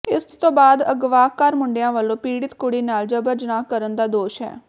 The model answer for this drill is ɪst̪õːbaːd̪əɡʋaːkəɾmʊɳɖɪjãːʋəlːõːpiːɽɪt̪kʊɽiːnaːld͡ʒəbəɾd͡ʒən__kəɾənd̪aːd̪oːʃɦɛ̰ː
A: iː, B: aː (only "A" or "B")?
B